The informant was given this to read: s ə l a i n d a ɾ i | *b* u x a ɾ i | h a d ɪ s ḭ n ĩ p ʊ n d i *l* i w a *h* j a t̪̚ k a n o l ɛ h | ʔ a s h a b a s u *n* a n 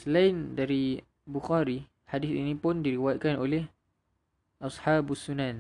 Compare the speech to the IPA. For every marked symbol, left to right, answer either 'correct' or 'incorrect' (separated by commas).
correct, incorrect, incorrect, correct